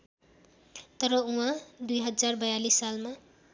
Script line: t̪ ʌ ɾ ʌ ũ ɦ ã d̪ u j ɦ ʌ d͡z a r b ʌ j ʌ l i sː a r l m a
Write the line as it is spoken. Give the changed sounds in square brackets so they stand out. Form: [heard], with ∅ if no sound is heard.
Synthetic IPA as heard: t̪ ʌ ɾ ʌ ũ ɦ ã d̪ u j ɦ ʌ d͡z a r b ʌ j [a] l i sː a [∅] l m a